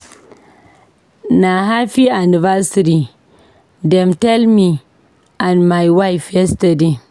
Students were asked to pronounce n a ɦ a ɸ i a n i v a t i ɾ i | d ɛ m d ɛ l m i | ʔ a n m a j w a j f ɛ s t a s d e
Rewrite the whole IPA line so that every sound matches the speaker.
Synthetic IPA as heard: n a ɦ a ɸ i a n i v a s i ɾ i | d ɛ m t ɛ l m i | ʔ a n m a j w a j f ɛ s t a d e